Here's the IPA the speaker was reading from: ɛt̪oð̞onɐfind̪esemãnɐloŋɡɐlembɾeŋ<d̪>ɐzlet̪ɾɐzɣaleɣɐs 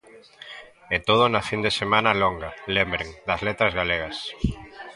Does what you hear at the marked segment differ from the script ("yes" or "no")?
no